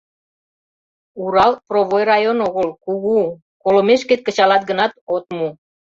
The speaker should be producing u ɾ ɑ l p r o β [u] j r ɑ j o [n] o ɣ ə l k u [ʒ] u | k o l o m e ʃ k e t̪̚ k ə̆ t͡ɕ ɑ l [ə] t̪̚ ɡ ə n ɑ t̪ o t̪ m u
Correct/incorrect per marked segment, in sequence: incorrect: o, correct, incorrect: ɣ, incorrect: ɑ

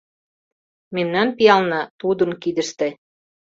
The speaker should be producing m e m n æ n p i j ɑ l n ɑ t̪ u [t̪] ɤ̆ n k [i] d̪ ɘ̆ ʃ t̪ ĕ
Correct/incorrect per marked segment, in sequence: incorrect: d̪, correct

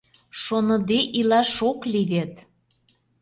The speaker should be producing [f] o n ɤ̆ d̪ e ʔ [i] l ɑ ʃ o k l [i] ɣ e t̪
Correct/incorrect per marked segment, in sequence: incorrect: ʃ, correct, correct

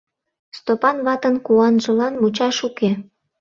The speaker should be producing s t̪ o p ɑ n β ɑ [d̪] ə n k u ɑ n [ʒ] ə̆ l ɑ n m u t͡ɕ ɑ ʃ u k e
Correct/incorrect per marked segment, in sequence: incorrect: t̪, correct

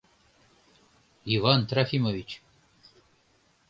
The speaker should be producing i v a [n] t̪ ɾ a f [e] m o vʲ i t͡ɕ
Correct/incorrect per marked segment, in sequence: correct, incorrect: i

